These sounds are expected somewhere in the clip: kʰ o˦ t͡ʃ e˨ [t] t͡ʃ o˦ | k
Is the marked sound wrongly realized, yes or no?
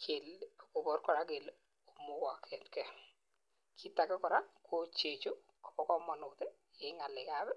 yes